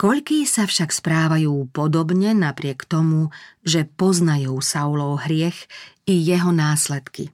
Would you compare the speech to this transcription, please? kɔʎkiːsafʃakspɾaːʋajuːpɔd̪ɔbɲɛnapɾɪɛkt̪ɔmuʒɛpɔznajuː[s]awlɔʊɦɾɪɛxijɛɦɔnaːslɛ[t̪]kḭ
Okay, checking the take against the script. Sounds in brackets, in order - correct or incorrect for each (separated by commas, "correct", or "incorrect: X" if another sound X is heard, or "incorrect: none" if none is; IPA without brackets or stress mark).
correct, correct